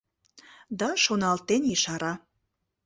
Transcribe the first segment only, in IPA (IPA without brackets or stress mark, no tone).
d̪